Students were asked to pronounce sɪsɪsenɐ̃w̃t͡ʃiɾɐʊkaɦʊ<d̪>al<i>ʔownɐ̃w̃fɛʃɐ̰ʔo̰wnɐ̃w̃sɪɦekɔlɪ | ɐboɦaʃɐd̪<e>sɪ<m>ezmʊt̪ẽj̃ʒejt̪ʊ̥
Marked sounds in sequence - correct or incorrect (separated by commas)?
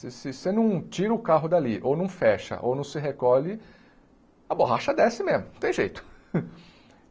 correct, correct, incorrect, correct